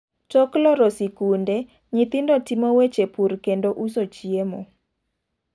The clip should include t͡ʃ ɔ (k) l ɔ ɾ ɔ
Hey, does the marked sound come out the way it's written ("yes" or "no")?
yes